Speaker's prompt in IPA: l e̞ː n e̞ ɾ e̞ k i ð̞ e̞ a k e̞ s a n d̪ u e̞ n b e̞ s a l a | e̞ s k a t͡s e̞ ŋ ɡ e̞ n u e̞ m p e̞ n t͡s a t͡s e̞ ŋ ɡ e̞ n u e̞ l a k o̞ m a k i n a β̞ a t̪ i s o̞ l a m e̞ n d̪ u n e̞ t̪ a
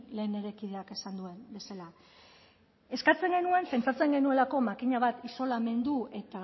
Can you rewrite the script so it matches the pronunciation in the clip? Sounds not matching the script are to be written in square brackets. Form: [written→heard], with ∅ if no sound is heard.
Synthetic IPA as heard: l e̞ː n e̞ ɾ e̞ k i ð̞ e̞ a k e̞ s a n d̪ u e̞ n b e̞ s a l a | e̞ s k a t͡s e̞ ŋ ɡ e̞ n u e̞ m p e̞ n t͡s a t͡s e̞ ŋ ɡ e̞ n u e̞ l a k o̞ m a k i [n→ɲ] a β̞ a t̪ i s o̞ l a m e̞ n d̪ u [n→∅] e̞ t̪ a